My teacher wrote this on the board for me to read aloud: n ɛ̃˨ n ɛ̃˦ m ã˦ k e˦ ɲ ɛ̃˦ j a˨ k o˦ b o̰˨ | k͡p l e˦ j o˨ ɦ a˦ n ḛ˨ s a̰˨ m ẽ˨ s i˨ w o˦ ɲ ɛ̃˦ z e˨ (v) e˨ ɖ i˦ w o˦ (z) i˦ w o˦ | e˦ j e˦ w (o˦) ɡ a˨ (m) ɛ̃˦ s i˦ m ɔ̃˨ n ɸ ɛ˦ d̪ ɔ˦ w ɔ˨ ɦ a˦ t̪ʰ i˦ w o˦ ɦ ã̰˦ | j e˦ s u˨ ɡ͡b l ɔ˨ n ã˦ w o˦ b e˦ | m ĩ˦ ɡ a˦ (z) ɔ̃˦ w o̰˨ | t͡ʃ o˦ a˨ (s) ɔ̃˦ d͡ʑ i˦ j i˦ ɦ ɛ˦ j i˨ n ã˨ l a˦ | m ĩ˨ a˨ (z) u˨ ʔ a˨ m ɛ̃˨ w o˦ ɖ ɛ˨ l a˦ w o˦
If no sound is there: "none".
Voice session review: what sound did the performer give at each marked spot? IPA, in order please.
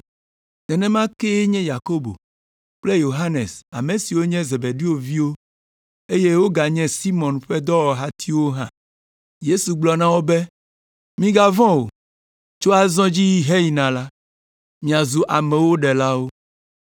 b, v, o˦, ɲ, v, z, z

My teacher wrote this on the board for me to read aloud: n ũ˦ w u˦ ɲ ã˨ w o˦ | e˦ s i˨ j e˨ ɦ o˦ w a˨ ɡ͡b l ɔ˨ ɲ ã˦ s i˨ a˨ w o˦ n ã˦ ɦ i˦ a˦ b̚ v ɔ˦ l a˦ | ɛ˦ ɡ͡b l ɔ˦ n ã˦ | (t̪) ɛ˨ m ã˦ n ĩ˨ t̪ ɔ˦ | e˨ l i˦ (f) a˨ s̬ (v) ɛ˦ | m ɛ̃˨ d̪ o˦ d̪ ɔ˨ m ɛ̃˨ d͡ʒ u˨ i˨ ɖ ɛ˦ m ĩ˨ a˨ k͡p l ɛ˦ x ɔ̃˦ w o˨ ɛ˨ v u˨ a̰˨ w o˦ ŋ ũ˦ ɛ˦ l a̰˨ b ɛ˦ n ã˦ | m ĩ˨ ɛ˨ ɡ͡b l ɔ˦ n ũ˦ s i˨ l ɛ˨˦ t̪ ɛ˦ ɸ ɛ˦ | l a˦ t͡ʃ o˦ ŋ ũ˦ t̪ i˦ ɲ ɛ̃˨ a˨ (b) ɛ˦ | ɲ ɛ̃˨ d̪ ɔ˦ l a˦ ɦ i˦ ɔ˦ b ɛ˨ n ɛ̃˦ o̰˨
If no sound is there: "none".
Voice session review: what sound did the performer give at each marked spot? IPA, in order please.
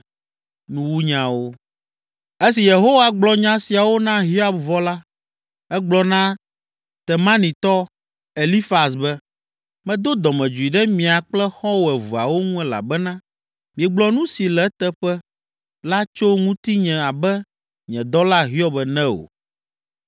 t̪, f, b, b

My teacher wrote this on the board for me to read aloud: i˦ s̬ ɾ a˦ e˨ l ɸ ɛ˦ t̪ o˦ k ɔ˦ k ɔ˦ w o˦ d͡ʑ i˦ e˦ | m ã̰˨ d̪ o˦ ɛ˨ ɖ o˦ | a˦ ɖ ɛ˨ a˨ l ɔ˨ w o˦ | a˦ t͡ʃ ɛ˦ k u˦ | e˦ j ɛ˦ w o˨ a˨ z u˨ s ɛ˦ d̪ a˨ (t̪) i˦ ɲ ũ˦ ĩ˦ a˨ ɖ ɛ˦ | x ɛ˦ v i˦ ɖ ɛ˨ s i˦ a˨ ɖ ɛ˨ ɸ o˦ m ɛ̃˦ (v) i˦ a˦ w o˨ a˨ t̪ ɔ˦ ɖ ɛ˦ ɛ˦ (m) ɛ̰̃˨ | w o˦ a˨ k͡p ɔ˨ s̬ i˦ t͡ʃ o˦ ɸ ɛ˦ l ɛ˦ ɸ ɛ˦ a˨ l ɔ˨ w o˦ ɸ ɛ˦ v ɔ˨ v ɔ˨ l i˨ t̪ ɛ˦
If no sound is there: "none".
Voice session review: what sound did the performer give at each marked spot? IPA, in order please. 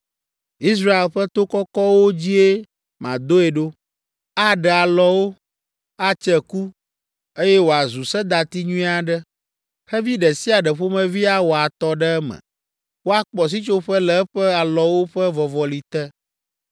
t̪, v, m

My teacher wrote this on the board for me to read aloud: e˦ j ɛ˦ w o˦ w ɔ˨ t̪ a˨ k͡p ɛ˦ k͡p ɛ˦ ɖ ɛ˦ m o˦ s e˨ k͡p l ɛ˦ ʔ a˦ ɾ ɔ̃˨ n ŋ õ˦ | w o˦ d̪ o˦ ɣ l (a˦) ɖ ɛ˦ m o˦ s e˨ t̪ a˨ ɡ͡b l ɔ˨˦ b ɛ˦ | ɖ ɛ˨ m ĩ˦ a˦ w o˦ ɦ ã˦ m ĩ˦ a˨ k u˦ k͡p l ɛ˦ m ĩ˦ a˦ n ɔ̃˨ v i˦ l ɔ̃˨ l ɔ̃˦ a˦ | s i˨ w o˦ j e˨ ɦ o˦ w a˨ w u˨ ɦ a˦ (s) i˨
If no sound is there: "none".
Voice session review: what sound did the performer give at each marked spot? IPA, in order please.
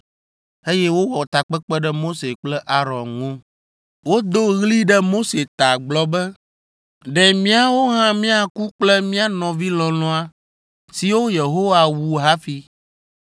i˦, f

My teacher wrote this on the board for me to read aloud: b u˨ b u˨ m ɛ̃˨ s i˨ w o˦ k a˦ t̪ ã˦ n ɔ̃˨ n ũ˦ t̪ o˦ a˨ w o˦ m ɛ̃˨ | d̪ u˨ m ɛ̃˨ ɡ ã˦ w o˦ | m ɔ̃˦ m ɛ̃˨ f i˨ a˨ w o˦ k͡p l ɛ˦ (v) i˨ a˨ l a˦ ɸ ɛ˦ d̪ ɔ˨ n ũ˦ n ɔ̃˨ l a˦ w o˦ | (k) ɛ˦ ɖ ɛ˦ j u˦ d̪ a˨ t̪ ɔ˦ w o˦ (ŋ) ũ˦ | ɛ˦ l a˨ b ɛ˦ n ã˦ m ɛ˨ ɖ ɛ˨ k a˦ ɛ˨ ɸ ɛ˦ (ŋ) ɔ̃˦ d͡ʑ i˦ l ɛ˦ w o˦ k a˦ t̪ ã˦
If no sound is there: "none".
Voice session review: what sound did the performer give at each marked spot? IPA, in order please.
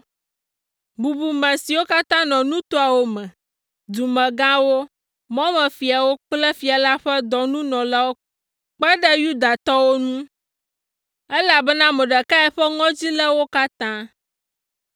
f, k͡p, n, ŋ

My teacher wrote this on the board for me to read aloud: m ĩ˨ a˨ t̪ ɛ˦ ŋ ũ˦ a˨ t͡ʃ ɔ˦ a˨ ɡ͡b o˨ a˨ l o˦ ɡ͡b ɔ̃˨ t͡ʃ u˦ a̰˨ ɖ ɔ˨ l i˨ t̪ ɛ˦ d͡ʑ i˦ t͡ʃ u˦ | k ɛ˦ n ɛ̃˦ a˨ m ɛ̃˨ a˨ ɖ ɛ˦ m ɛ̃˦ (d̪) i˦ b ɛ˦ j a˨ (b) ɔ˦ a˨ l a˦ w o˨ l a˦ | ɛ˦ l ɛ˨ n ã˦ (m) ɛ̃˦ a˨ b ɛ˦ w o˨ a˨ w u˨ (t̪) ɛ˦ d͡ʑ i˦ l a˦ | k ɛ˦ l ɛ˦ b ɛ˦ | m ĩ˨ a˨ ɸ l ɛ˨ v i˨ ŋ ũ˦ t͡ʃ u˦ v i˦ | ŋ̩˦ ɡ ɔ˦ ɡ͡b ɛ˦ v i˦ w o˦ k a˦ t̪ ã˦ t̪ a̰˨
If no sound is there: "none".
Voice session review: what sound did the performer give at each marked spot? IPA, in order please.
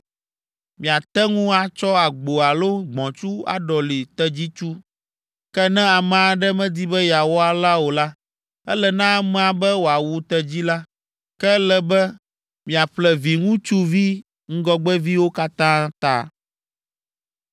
d̪, w, m, t̪

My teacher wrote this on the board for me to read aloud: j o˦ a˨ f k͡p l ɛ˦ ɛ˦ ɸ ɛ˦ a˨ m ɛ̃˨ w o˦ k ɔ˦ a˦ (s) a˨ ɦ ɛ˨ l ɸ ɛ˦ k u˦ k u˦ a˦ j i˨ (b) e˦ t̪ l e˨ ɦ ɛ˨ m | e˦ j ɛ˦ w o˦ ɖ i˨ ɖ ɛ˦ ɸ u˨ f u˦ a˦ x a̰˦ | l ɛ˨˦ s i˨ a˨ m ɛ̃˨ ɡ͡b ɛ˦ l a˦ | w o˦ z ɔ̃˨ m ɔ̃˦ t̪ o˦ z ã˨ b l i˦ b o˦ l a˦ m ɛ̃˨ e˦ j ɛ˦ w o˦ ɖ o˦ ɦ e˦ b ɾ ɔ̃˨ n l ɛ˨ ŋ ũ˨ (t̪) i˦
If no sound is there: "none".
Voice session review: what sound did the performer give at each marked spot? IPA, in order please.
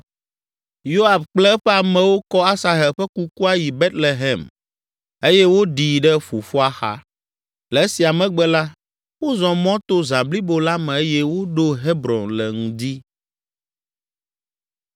s, b, d̪

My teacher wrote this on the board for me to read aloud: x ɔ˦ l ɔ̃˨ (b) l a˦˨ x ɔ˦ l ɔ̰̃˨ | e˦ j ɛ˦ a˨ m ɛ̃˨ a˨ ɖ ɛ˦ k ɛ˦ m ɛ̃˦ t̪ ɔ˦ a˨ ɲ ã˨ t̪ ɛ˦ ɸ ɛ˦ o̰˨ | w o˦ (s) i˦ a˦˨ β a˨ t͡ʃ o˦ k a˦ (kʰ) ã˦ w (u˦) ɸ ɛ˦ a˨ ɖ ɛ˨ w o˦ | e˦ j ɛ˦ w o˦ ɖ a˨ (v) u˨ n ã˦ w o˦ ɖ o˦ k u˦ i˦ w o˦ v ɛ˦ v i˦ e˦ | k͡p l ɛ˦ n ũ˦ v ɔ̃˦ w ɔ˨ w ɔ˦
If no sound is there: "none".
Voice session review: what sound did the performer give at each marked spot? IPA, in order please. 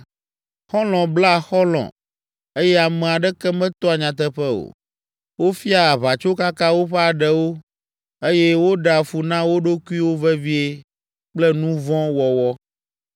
b, f, k, o˦, f

